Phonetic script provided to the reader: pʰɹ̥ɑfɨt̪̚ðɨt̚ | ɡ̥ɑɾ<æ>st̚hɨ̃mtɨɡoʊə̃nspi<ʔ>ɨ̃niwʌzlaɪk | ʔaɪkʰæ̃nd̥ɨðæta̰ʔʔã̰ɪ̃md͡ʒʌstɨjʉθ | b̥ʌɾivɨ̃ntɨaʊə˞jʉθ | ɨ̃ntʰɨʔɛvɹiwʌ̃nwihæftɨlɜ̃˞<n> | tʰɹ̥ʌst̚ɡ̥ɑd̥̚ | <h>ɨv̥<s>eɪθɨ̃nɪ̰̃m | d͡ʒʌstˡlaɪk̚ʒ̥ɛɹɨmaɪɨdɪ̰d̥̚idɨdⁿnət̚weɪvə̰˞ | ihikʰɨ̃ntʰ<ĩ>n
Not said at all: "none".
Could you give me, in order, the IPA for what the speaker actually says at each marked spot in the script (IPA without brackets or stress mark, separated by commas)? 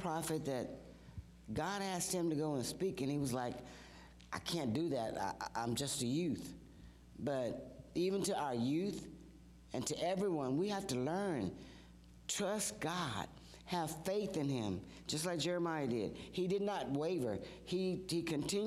æ, k, n, h, f, ɪ̃